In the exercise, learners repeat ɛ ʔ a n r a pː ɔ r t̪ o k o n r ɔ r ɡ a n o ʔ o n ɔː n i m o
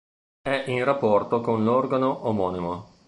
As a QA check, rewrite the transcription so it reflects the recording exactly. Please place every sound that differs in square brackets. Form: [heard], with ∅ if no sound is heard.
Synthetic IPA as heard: ɛ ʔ [i] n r a pː ɔ r t̪ o k o n [l] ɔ r ɡ a n o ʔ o [m] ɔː n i m o